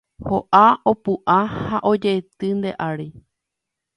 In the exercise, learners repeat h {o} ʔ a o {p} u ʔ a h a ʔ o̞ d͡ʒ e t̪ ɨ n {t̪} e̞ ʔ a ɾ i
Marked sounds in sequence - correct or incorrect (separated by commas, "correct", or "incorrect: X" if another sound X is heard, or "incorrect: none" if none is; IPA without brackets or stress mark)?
correct, correct, incorrect: d̪